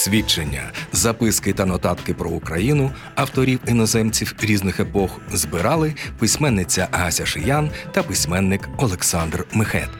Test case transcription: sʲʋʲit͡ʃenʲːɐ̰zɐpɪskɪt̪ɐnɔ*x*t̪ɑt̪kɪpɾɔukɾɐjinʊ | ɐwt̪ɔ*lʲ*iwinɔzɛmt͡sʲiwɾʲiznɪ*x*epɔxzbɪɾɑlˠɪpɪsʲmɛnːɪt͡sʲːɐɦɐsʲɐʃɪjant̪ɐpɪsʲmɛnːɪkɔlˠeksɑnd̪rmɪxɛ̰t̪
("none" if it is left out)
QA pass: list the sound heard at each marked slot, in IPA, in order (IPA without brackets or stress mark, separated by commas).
none, ɾʲ, x